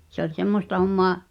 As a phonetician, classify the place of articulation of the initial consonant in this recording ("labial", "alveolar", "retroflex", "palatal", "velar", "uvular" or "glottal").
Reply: alveolar